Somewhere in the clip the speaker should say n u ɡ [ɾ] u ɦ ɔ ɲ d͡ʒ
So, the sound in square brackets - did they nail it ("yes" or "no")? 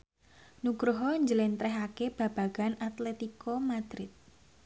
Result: yes